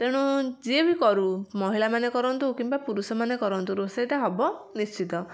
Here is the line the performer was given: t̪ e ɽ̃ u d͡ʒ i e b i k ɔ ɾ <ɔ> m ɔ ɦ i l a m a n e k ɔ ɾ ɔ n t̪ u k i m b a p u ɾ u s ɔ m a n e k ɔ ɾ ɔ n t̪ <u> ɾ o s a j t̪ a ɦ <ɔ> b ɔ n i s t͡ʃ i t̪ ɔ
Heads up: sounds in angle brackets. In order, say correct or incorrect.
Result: incorrect, correct, correct

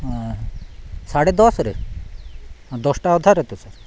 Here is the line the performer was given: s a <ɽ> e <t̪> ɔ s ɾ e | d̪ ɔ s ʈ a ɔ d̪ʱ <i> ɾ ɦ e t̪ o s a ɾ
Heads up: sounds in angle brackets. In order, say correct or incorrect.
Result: correct, incorrect, incorrect

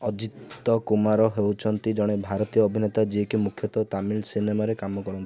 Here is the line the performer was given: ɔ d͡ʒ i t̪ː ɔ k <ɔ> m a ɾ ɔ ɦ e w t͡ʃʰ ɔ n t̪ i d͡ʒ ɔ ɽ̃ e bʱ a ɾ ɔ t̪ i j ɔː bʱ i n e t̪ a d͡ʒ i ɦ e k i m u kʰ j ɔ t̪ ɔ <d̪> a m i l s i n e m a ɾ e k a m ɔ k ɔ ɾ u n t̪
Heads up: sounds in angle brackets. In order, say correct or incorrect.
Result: incorrect, incorrect

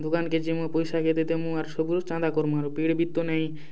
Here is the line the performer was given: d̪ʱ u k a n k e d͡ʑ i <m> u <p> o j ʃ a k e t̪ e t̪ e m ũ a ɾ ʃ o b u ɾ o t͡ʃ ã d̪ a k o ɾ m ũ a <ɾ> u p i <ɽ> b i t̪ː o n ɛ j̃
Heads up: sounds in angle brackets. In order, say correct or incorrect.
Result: correct, correct, correct, correct

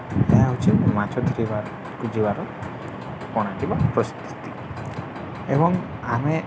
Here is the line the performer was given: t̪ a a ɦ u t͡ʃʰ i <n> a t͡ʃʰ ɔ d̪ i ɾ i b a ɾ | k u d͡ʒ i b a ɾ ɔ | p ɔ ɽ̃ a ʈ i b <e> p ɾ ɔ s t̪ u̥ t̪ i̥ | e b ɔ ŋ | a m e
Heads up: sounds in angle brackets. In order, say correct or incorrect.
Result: incorrect, incorrect

